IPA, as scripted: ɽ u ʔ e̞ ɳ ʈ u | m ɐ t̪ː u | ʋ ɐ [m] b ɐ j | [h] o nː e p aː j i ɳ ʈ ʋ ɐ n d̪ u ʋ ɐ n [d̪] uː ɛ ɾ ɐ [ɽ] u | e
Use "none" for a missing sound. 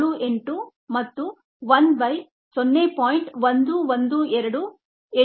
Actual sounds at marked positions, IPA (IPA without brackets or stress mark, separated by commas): n, s, d̪, ɽ